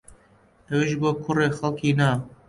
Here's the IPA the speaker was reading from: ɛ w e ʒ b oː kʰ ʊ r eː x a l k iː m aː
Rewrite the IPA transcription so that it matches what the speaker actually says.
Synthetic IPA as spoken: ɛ w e ʒ b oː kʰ ʊ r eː x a l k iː n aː